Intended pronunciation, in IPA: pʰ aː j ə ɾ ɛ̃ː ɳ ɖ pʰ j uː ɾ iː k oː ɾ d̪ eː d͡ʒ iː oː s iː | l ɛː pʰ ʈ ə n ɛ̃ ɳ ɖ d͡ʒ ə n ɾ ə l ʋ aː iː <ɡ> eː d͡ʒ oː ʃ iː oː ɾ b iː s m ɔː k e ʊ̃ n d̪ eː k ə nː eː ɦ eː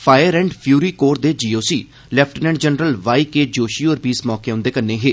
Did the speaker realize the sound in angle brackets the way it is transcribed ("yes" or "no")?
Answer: no